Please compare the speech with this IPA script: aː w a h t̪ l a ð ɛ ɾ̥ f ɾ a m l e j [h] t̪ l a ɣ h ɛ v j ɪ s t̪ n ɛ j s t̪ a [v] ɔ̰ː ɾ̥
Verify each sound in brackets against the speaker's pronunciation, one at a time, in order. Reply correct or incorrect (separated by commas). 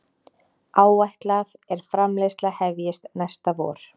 incorrect, correct